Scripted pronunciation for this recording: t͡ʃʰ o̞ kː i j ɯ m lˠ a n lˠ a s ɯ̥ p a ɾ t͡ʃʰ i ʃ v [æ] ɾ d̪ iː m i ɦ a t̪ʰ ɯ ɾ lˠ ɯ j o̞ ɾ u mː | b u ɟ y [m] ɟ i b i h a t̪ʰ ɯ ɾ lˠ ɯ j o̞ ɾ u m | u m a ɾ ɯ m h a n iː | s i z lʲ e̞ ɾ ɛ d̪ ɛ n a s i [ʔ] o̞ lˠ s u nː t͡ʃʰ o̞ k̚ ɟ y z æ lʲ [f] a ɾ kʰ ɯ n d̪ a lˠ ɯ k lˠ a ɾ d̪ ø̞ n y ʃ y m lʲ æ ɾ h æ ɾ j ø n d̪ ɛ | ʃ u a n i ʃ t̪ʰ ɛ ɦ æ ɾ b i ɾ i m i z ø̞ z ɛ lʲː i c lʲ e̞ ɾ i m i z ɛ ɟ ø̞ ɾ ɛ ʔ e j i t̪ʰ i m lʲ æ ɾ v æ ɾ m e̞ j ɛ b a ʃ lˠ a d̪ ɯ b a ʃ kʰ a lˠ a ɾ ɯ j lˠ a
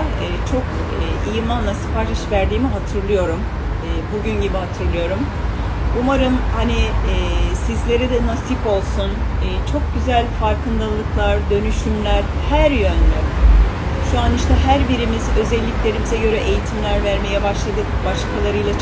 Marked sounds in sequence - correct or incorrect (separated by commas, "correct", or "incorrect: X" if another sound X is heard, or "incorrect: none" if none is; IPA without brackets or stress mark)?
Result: correct, incorrect: n, incorrect: p, correct